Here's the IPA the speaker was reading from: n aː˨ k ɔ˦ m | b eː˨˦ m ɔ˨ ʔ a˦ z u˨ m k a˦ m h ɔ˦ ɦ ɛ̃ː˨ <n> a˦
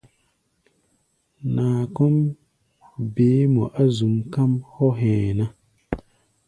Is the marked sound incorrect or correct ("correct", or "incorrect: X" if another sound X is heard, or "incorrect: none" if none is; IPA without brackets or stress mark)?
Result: correct